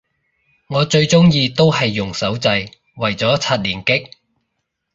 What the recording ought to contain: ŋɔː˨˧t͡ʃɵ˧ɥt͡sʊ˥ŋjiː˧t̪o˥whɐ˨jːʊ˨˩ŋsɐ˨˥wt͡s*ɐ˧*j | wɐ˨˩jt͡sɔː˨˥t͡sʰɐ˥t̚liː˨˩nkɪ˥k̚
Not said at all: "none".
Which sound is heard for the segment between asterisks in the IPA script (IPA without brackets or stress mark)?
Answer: ɐ˧